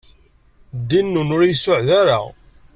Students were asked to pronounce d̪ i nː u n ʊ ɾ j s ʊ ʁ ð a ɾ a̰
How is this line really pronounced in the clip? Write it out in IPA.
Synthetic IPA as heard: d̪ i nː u n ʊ ɾ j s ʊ ʕ ð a ɾ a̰